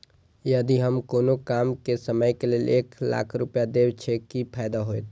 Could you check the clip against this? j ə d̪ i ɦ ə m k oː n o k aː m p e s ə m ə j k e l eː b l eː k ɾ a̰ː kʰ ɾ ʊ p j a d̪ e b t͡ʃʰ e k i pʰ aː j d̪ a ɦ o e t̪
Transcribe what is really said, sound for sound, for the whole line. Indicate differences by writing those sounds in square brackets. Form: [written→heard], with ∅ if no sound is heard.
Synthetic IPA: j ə d̪ i ɦ ə m k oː n o k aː m [p→k] e s ə m ə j k e l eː [b→∅] l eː k [ɾ→l] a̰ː kʰ ɾ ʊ p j a d̪ e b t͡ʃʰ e k i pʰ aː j d̪ a ɦ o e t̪